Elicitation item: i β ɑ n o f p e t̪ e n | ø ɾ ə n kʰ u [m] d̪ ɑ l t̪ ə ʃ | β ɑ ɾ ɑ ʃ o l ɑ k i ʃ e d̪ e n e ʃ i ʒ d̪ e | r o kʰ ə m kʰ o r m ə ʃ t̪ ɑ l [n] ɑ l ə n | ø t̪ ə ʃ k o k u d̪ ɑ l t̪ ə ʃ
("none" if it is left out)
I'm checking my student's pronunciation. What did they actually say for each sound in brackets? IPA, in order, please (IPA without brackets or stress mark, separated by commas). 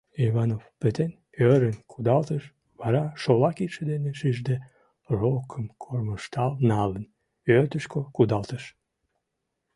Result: none, n